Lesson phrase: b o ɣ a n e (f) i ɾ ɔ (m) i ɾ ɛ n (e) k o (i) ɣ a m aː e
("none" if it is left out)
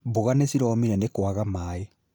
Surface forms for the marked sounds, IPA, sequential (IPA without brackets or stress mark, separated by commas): s, m, e, a